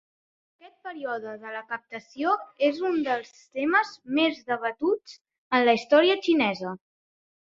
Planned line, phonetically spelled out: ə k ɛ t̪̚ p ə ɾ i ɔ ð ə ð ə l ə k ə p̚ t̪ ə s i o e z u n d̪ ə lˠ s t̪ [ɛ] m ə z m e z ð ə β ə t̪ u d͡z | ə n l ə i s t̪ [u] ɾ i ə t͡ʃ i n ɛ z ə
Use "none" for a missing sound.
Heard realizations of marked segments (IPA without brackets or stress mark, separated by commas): e, ɔ